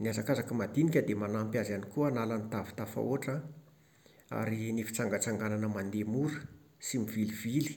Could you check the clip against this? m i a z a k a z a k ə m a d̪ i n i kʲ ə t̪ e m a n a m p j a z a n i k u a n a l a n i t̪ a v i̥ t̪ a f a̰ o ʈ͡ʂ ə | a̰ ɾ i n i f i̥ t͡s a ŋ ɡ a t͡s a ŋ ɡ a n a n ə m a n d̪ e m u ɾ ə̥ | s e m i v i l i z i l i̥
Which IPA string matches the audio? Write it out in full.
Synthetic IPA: n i a z a k a z a k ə m a d̪ i n i kʲ ə d̪ e m a n a m p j a z a n i k u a n a l a n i t̪ a v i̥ t̪ a f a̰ o ʈ͡ʂ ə | a̰ ɾ i n i f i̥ t͡s a ŋ ɡ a t͡s a ŋ ɡ a n a n ə m a n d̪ e m u ɾ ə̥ | s i m i v i l i v i l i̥